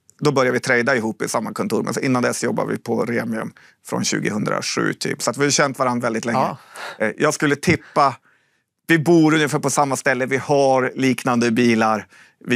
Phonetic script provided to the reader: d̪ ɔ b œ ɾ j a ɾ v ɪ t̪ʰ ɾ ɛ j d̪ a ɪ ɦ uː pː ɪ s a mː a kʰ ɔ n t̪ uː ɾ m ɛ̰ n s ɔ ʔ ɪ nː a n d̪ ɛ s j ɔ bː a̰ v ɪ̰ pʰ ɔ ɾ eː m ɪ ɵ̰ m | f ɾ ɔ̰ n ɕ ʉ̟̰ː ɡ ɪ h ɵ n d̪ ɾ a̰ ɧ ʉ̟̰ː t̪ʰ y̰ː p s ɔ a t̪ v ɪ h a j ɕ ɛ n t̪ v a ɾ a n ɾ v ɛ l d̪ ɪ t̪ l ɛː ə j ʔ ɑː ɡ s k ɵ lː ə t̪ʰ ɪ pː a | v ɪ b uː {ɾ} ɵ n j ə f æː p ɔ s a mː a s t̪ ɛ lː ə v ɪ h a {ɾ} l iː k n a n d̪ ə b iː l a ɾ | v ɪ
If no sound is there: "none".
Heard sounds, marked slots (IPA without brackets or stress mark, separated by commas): ɾ, ɾ